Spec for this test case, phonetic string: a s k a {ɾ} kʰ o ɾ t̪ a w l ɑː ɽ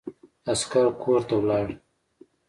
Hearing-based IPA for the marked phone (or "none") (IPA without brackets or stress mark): ɾ